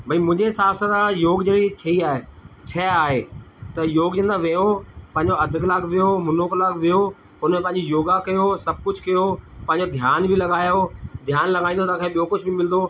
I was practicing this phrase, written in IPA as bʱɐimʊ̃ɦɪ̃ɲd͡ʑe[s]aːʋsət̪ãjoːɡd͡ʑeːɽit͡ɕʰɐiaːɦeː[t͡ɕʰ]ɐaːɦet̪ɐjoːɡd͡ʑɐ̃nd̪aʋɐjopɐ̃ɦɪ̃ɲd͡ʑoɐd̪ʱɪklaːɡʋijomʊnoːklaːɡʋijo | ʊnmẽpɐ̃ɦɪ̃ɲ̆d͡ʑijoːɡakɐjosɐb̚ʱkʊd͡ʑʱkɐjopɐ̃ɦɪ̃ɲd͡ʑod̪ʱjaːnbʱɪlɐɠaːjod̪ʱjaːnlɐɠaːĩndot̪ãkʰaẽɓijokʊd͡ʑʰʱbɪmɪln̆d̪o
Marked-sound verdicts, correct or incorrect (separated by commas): correct, correct